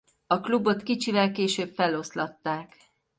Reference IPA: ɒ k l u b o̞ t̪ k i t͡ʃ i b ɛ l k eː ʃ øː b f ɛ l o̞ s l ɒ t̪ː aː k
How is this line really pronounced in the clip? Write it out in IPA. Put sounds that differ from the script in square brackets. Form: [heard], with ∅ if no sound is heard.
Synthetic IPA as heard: ɒ k l u b o̞ t̪ k i t͡ʃ i [v] ɛ l k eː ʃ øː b f ɛ l o̞ s l ɒ t̪ː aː k

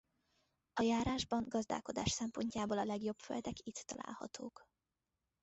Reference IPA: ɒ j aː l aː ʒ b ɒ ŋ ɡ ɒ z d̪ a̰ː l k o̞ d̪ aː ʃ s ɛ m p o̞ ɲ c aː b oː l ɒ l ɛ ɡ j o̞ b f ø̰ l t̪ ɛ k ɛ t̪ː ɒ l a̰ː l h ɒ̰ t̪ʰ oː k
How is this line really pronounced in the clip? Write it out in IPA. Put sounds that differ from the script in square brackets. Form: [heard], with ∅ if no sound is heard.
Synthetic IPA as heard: ɒ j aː [ɾ] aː ʒ b ɒ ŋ ɡ ɒ z d̪ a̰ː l k o̞ d̪ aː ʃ s ɛ m p o̞ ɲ c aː b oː l ɒ l ɛ ɡ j o̞ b f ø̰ l [d̪] ɛ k [i] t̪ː ɒ l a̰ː l h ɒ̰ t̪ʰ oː k

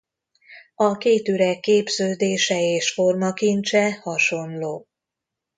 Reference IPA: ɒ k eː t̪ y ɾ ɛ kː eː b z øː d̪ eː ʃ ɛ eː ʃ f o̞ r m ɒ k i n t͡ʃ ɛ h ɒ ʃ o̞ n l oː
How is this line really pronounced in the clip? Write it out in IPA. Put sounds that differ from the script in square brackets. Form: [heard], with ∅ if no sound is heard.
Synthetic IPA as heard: ɒ k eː t̪ y ɾ ɛ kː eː b z øː d̪ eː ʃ ɛ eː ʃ f o̞ r m ɒ k i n t͡ʃ ɛ h ɒ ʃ o̞ n l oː

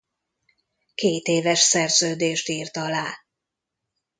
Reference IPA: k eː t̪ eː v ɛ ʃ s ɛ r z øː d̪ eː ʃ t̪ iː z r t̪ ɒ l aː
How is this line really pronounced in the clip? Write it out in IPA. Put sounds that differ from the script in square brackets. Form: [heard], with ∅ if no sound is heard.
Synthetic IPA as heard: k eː t̪ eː v ɛ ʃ s ɛ r z øː d̪ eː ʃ t̪ iː [∅] r t̪ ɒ l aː

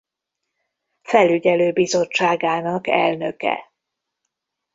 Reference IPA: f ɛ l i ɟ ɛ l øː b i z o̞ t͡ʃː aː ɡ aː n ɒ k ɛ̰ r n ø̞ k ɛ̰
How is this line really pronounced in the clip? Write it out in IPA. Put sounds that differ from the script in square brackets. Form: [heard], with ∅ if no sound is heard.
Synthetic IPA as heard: f ɛ l [y] ɟ ɛ l øː b i z o̞ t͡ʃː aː ɡ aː n ɒ k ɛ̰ [l] n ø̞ k ɛ̰

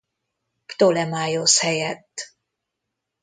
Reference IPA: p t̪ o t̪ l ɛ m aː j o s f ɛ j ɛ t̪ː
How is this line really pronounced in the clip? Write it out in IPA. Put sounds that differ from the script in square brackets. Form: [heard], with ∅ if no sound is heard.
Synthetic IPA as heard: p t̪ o [∅] l ɛ m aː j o s [h] ɛ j ɛ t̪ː

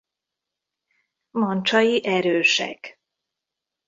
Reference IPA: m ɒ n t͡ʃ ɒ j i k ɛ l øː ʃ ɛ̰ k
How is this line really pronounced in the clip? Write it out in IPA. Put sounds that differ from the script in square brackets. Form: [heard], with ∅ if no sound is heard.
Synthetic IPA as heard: m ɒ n t͡ʃ ɒ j i [ʔ] ɛ [ɾ] øː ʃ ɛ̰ k

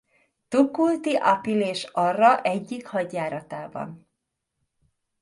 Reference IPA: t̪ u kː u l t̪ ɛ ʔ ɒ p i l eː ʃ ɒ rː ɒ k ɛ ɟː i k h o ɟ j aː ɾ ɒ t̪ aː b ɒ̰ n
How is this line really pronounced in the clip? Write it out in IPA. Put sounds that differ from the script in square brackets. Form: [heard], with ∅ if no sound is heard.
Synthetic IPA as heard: t̪ u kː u l t̪ [i] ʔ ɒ p i l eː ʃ ɒ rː ɒ [ʔ] ɛ ɟː i k h [ɒ] ɟ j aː ɾ ɒ t̪ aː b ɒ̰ n

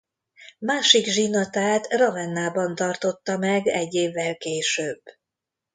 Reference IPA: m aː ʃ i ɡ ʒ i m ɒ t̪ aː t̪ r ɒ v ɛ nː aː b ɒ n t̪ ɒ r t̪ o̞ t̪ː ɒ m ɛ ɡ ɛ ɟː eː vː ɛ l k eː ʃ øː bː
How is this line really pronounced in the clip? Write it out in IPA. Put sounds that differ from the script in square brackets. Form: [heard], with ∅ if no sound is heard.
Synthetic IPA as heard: m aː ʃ i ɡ ʒ i [n] ɒ t̪ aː t̪ r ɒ v ɛ nː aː b ɒ n t̪ ɒ r t̪ o̞ t̪ː ɒ m ɛ ɡ ɛ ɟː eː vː ɛ l k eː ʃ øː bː

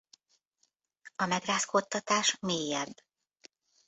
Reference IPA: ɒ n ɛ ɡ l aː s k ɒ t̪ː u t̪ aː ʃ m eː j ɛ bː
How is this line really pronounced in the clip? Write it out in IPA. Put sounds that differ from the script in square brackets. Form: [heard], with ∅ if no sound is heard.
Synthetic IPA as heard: ɒ [m] ɛ ɡ [r] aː s k [o] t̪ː [ɒ] t̪ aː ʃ m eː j ɛ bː

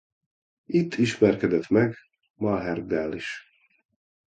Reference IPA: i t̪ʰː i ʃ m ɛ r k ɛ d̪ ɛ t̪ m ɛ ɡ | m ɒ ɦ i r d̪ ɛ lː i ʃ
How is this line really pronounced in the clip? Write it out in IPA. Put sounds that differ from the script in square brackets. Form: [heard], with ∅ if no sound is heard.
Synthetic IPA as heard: i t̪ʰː i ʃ m ɛ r k ɛ d̪ ɛ t̪ m ɛ ɡ | m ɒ ɦ [ɛ] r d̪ ɛ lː i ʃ

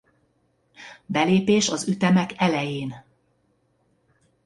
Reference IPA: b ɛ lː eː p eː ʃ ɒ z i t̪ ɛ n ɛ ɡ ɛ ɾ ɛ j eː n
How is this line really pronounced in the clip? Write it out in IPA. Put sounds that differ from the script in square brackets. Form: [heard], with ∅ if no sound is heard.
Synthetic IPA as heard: b ɛ [l] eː p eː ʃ ɒ z [y] t̪ ɛ [m] ɛ [k] ɛ [l] ɛ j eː n

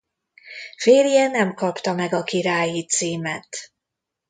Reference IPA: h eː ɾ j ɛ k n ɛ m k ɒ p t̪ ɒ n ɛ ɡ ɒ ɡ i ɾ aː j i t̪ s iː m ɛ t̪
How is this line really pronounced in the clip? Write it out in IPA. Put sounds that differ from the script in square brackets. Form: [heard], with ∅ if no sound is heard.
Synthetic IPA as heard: [f] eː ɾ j ɛ [∅] n ɛ m k ɒ p t̪ ɒ [m] ɛ ɡ ɒ [k] i ɾ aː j i t̪ s iː m ɛ t̪

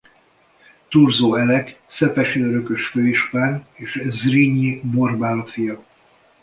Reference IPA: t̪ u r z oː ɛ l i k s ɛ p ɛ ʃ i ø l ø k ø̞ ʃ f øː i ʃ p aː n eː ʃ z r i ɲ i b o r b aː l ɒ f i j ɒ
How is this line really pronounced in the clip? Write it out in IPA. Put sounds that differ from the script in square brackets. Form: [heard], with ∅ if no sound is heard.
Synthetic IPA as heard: t̪ u r z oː ɛ l [ɛ] k s ɛ p ɛ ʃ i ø [ɾ] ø k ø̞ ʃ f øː i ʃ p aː n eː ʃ z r i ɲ i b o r b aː l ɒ f i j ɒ

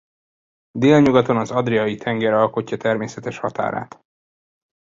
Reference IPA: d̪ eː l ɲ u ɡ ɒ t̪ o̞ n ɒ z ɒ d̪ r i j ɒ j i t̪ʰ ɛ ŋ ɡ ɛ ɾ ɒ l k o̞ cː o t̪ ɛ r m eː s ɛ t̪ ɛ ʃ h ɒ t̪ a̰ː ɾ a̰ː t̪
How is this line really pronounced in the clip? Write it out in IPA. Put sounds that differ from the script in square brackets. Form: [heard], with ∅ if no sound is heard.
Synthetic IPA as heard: d̪ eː l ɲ u ɡ ɒ t̪ o̞ n ɒ z ɒ d̪ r i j ɒ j i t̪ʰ ɛ ŋ ɡ ɛ ɾ ɒ l k o̞ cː [ɒ] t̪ ɛ r m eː s ɛ t̪ ɛ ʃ h ɒ t̪ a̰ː ɾ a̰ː t̪

